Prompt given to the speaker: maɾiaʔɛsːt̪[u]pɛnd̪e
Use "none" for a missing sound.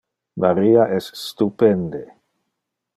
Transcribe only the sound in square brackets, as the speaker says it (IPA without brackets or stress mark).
u